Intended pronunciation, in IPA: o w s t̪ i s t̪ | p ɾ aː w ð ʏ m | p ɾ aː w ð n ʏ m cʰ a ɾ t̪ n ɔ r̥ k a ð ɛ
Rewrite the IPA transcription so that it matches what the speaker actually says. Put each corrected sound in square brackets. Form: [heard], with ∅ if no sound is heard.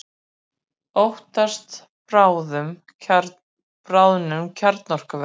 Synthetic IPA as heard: o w [h] t̪ [a] s t̪ | p ɾ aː w ð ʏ m | p ɾ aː w ð n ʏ m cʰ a ɾ t̪ n ɔ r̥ k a [v] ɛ